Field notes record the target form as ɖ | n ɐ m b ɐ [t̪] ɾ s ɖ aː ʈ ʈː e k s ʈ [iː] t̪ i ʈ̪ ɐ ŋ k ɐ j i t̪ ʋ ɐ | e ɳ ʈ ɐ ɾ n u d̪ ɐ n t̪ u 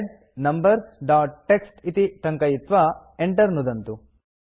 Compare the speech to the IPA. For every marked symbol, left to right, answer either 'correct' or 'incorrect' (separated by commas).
incorrect, incorrect